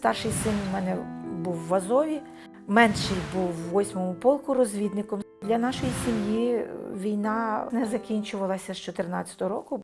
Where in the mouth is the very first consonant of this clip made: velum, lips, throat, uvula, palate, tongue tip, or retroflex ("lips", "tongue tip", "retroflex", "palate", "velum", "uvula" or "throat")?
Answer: tongue tip